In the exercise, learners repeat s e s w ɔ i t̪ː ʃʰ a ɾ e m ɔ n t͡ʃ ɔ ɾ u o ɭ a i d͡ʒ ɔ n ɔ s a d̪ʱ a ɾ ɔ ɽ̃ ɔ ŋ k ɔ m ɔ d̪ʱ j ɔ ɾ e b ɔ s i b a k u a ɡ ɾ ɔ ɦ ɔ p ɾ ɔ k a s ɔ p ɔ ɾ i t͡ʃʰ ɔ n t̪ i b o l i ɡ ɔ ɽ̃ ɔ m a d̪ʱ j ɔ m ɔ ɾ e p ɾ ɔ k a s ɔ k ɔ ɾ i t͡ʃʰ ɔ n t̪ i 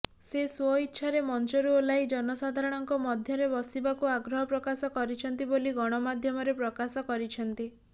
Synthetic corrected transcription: s e s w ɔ i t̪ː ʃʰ a ɾ e m ɔ n t͡ʃ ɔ ɾ u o l a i d͡ʒ ɔ n ɔ s a d̪ʱ a ɾ ɔ ɽ̃ ɔ ŋ k ɔ m ɔ d̪ʱ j ɔ ɾ e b ɔ s i b a k u a ɡ ɾ ɔ ɦ ɔ p ɾ ɔ k a s ɔ k ɔ ɾ i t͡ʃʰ ɔ n t̪ i b o l i ɡ ɔ ɽ̃ ɔ m a d̪ʱ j ɔ m ɔ ɾ e p ɾ ɔ k a s ɔ k ɔ ɾ i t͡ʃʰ ɔ n t̪ i